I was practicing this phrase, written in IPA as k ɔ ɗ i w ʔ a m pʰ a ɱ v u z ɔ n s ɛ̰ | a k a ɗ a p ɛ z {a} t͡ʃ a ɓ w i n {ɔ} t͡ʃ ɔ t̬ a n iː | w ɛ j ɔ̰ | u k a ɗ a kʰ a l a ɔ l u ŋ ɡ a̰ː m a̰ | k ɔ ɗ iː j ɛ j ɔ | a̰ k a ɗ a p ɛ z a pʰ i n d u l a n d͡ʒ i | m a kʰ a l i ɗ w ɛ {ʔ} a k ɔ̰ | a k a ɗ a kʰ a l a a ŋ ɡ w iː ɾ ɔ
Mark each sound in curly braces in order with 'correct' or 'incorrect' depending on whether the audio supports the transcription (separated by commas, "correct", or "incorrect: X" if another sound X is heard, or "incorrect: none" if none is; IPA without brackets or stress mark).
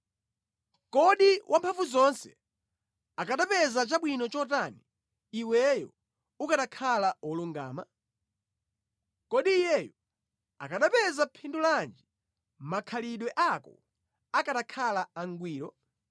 correct, correct, correct